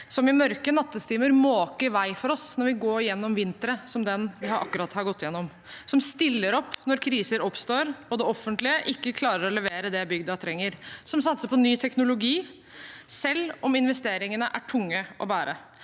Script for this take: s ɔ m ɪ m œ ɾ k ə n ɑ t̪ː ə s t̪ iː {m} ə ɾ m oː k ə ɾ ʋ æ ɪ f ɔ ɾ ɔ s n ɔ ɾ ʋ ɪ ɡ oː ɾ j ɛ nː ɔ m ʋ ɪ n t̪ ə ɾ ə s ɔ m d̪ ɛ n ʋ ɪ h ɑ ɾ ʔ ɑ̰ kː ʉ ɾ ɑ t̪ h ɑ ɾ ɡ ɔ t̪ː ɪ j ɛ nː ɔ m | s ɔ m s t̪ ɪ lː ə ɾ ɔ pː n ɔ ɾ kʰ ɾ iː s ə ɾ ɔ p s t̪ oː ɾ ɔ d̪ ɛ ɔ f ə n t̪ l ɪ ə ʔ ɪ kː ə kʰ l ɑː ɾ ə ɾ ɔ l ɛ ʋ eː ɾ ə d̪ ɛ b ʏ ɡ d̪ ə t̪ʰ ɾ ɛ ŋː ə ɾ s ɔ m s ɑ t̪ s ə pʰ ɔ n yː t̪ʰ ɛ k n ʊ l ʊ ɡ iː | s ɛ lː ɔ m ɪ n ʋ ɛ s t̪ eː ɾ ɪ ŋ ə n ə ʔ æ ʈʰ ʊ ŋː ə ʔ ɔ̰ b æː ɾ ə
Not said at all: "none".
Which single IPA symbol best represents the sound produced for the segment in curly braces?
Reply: m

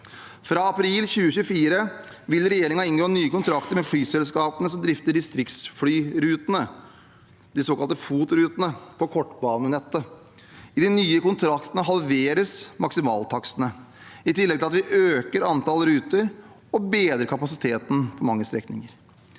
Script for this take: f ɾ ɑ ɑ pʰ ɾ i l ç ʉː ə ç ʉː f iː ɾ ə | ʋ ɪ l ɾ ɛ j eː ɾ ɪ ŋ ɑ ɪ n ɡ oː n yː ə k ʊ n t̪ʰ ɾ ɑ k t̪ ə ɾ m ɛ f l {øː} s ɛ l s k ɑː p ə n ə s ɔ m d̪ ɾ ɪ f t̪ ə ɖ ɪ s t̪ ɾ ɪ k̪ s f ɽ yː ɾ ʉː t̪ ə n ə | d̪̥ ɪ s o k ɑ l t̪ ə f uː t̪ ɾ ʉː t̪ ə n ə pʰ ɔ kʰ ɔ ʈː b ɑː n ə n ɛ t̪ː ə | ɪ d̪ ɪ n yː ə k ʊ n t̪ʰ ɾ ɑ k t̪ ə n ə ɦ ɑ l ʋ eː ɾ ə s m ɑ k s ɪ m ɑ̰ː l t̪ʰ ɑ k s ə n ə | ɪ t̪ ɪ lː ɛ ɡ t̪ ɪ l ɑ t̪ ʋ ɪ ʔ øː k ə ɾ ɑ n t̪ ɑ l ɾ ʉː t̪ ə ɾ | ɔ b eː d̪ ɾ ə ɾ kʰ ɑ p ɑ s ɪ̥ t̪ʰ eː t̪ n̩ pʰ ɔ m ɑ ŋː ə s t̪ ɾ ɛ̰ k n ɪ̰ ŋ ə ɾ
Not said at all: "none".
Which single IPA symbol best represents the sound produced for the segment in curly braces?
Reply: yː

